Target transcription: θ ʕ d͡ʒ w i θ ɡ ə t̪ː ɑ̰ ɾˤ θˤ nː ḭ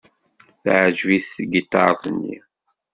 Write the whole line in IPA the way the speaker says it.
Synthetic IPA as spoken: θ ʕ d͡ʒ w i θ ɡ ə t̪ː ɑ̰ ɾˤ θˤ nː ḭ